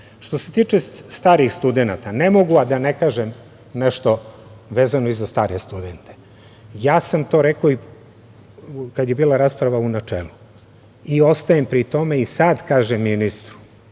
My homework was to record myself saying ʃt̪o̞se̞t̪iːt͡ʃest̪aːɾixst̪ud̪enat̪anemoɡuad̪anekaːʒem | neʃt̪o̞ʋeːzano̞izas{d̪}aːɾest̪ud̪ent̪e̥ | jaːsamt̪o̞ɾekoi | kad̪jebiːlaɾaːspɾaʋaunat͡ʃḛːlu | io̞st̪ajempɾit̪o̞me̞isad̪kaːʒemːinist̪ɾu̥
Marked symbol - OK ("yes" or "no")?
no